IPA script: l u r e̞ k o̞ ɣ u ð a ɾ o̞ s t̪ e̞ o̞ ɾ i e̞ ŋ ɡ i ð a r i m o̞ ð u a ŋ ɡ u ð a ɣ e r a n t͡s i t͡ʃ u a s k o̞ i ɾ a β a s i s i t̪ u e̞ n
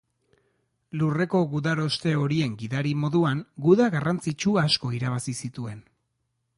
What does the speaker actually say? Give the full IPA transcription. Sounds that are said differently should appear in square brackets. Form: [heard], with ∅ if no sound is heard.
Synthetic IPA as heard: l u r e̞ k o̞ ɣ u ð a ɾ o̞ s t̪ e̞ o̞ ɾ i e̞ ŋ ɡ i ð a [ɾ] i m o̞ ð u a ŋ ɡ u ð a ɣ [a] r a n t͡s i t͡ʃ u a s k o̞ i ɾ a β a s i s i t̪ u e̞ n